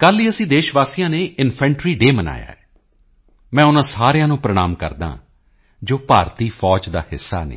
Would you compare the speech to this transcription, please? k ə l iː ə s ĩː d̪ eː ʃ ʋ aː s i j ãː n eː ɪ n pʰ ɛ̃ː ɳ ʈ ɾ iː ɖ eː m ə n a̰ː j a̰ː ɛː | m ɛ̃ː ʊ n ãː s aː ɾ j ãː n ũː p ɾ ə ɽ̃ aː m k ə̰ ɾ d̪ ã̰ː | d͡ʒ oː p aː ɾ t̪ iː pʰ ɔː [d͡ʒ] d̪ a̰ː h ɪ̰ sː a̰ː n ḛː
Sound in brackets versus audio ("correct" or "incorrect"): correct